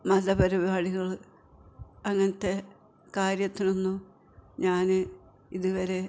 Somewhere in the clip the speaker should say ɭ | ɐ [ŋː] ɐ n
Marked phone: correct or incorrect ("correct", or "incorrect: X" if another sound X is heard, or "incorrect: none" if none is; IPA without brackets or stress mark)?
correct